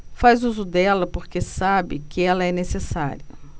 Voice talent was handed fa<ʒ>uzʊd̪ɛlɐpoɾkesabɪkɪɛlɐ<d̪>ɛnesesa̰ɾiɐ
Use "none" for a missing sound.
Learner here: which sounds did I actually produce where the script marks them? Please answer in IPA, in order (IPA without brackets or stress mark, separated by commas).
z, none